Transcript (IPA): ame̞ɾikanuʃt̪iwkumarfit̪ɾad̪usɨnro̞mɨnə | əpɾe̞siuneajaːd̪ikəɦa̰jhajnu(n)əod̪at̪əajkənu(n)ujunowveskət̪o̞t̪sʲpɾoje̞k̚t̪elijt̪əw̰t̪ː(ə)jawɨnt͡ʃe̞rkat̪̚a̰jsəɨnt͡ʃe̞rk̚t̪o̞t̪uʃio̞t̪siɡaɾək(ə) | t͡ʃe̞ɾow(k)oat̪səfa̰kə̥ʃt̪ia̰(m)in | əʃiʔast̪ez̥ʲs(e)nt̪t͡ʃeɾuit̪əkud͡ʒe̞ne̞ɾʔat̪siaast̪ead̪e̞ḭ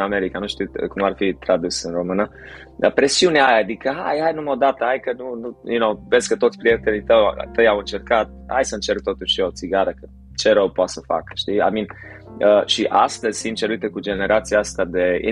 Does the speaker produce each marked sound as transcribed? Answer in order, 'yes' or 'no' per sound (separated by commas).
no, yes, yes, yes, no, yes, no